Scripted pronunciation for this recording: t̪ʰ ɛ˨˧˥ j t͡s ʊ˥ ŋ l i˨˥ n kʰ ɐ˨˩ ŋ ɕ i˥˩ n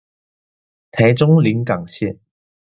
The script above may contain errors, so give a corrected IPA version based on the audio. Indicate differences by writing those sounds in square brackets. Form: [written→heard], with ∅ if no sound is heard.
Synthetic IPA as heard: t̪ʰ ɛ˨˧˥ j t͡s ʊ˥ ŋ l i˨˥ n [kʰ→k] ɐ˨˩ ŋ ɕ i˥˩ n